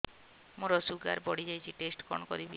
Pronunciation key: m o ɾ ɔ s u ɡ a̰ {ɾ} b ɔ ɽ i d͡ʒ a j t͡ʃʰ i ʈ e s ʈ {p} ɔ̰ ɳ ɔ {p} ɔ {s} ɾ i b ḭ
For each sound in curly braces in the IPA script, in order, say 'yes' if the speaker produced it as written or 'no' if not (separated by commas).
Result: yes, no, no, no